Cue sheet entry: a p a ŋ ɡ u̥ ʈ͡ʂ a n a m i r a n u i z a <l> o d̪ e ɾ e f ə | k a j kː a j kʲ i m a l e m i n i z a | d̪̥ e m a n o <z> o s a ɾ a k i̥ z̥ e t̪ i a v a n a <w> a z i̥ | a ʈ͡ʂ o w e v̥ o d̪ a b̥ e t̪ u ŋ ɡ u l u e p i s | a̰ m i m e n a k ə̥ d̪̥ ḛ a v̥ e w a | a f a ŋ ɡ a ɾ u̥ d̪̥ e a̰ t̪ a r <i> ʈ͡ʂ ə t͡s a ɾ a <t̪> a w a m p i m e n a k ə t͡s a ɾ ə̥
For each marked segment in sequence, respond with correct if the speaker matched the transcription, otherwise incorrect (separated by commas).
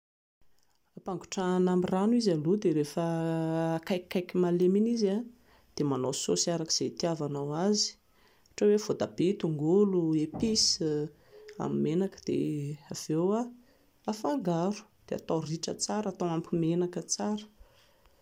correct, incorrect, correct, correct, correct